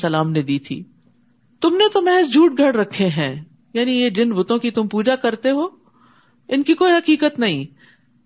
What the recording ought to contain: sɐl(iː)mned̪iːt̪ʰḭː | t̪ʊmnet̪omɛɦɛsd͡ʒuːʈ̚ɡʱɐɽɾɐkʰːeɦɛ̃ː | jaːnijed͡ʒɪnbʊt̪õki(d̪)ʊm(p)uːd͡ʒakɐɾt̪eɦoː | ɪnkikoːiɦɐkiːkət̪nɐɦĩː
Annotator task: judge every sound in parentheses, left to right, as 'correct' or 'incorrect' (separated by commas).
incorrect, incorrect, correct